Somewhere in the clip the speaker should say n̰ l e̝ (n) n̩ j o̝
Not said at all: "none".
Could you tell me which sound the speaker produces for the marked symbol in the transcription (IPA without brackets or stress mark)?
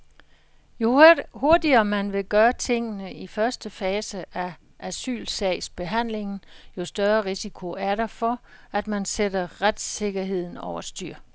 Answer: ŋ